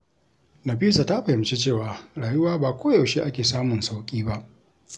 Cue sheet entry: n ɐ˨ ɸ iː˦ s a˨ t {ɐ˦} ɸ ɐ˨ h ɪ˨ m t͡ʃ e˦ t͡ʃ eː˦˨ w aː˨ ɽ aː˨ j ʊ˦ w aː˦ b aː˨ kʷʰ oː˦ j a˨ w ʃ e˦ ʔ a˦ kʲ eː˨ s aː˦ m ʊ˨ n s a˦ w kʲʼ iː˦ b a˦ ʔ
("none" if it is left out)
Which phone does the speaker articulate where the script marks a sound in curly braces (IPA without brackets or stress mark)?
a˦